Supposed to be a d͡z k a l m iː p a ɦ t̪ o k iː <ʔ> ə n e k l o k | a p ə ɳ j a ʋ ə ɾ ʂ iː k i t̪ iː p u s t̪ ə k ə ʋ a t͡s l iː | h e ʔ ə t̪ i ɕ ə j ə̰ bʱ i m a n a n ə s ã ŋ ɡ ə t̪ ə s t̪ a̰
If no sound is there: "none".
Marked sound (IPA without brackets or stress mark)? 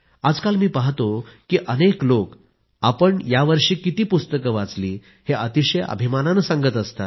ʔ